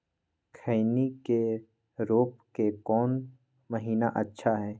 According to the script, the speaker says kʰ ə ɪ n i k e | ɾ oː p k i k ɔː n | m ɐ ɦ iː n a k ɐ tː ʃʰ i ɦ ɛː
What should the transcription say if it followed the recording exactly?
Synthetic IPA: kʰ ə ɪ n i k e | ɾ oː p k e k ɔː n | m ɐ ɦ iː n a ʔ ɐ tː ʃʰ a ɦ ɛː